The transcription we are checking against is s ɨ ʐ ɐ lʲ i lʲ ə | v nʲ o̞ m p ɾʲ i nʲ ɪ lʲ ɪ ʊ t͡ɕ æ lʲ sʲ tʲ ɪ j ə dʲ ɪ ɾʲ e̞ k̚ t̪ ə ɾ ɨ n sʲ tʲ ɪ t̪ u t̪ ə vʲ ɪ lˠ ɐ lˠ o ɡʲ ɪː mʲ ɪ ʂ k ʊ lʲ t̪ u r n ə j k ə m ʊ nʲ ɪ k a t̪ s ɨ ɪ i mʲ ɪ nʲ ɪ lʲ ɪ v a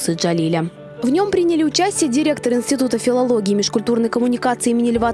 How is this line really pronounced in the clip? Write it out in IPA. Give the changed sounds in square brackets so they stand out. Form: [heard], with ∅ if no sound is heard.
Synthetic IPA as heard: s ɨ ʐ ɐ lʲ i lʲ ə | v nʲ o̞ m p ɾʲ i nʲ ɪ lʲ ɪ ʊ t͡ɕ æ [∅] sʲ tʲ ɪ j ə dʲ ɪ ɾʲ e̞ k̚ t̪ ə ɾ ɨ n sʲ tʲ ɪ t̪ u t̪ ə [fʲ] ɪ lˠ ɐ lˠ o ɡʲ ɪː mʲ ɪ ʂ k ʊ lʲ t̪ u r n ə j k ə m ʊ nʲ ɪ k a t̪ s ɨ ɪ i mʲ ɪ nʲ ɪ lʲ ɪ v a